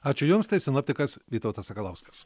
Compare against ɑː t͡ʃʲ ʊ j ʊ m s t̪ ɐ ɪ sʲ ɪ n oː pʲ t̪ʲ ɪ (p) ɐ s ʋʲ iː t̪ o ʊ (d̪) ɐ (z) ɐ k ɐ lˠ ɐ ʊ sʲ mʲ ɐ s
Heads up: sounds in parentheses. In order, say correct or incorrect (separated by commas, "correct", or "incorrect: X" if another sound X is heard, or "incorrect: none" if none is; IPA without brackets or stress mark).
incorrect: k, incorrect: t̪, incorrect: s